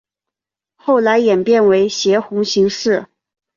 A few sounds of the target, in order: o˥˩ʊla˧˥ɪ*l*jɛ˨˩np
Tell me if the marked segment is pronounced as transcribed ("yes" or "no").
no